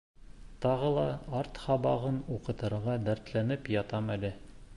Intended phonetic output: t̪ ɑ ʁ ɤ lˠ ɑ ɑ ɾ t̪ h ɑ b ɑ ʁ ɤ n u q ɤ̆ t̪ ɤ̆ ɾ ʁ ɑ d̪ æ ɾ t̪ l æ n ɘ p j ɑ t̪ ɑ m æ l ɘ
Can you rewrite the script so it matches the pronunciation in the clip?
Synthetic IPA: t̪ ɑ ʁ ɤ lˠ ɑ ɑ ɾ t̪ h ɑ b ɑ ʁ ɤ n u q ɤ̆ t̪ ɤ̆ ɾ ʁ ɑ d̪ æ ɾ t̪ l æ n ɘ p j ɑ t̪ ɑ m æ l ɘ